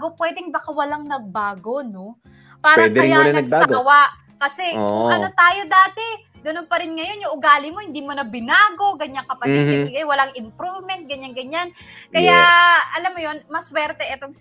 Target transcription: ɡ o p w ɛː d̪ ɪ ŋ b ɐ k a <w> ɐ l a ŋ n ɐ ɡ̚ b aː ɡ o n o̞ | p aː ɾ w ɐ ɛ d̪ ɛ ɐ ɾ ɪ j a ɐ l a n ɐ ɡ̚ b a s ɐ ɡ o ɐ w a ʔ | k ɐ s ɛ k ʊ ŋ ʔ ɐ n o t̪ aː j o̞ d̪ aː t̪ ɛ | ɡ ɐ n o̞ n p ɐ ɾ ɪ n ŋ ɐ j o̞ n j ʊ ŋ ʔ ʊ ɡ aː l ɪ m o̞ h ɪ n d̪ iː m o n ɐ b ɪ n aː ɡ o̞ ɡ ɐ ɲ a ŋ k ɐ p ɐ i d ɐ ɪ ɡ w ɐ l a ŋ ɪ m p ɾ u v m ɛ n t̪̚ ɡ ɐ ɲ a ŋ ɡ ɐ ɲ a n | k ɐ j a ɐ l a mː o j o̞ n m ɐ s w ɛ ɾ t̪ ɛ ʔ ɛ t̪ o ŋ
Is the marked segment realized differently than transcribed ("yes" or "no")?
no